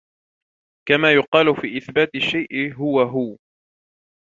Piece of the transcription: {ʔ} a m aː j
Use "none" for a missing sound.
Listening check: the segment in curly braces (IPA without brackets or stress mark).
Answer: k